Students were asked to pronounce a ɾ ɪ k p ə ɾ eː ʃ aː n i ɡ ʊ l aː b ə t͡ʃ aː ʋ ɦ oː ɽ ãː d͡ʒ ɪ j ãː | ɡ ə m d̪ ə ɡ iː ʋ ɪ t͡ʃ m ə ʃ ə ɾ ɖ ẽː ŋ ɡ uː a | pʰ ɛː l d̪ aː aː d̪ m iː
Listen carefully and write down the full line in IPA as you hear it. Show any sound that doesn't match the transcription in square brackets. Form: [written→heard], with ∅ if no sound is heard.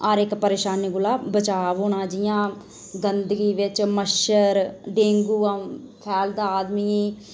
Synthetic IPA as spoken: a ɾ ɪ k p ə ɾ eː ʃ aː n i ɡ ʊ l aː b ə t͡ʃ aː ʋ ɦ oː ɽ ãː d͡ʒ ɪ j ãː | ɡ ə [m→n] d̪ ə ɡ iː ʋ ɪ t͡ʃ m ə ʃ ə ɾ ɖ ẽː ŋ ɡ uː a | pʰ ɛː l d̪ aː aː d̪ m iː

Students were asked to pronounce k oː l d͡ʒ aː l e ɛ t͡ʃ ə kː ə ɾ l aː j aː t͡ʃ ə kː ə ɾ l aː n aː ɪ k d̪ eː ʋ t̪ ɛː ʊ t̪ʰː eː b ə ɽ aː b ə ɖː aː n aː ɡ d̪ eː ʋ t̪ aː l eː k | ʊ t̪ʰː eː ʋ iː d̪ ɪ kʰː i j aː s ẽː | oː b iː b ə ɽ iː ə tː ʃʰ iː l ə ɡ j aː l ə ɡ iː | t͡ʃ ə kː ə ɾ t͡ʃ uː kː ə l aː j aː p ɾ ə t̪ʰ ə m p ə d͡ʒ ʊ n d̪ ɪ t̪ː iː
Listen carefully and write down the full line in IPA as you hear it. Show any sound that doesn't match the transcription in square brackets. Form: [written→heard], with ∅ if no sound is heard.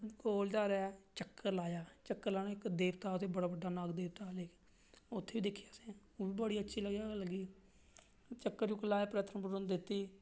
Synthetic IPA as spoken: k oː l d͡ʒ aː [l→ɾ] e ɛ t͡ʃ ə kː ə ɾ l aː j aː t͡ʃ ə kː ə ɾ l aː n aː ɪ k d̪ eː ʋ t̪ [ɛː→aː] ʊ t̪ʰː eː b ə ɽ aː b ə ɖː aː n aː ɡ d̪ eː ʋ t̪ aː l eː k | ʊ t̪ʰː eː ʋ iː d̪ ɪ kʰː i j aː s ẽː | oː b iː b ə ɽ iː ə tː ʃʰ iː l ə ɡ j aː l ə ɡ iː | t͡ʃ ə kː ə ɾ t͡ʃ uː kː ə l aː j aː p ɾ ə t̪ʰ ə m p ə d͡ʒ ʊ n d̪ ɪ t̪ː iː

